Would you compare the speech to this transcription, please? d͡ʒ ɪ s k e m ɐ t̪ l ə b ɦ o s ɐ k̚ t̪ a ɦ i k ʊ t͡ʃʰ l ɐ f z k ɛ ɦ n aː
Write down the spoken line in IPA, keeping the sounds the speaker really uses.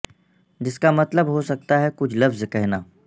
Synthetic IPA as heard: d͡ʒ ɪ s k a m ɐ t̪ l ə b ɦ o s ɐ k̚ t̪ a ɦ ɛ k ʊ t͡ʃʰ l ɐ f z k ɛ ɦ n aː